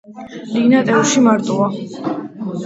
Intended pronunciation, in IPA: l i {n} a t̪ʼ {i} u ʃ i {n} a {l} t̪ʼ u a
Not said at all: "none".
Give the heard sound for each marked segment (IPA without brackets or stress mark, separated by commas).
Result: n, ɛ, m, ɾ